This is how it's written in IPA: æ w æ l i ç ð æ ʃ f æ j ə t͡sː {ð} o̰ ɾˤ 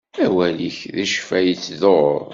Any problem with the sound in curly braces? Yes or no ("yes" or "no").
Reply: no